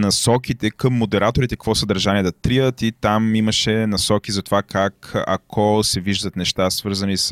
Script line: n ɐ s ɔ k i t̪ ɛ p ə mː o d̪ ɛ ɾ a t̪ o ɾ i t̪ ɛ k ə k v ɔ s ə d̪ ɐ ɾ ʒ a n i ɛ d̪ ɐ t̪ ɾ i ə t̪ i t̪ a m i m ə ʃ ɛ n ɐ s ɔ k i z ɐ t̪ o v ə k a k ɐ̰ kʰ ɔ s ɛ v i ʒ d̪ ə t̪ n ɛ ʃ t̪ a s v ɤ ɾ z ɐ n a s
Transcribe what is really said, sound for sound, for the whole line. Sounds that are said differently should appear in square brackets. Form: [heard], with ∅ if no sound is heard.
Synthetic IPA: n ɐ s ɔ k i t̪ ɛ [k] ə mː o d̪ ɛ ɾ a t̪ o ɾ i t̪ ɛ k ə k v ɔ s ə d̪ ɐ ɾ ʒ a n i ɛ d̪ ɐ t̪ ɾ i ə t̪ i t̪ a m i m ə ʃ ɛ n ɐ s ɔ k i z ɐ t̪ o v [a] k a k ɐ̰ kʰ ɔ s ɛ v i ʒ d̪ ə t̪ n ɛ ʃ t̪ a s v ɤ ɾ z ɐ n [i] s